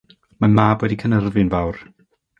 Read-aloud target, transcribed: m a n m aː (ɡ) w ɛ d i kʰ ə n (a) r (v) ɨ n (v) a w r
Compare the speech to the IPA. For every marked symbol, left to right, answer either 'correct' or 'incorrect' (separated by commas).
incorrect, incorrect, correct, correct